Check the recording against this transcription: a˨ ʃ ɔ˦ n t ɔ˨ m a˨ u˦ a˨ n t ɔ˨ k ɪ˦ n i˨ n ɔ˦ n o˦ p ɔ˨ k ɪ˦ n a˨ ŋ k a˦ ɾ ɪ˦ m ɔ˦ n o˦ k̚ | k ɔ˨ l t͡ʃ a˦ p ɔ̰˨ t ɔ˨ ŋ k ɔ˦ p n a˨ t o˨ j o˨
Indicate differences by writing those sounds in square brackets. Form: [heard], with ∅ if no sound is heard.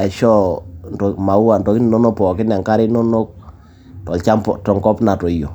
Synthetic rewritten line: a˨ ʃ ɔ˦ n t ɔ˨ m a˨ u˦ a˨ n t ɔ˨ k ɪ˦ n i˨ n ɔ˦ n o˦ p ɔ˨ k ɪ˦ n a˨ ŋ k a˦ ɾ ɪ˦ [n] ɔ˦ n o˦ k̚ | [t] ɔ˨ l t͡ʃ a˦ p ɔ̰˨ t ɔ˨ ŋ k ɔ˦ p n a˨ t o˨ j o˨